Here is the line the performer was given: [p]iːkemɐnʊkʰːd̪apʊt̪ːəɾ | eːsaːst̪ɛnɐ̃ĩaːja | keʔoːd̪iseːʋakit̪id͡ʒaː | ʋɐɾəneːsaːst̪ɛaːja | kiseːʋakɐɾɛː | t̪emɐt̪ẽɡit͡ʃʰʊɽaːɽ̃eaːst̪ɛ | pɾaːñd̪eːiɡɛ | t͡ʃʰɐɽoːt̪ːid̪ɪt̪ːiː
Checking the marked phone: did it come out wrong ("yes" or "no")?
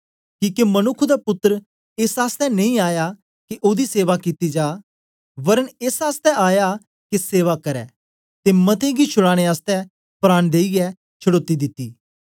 yes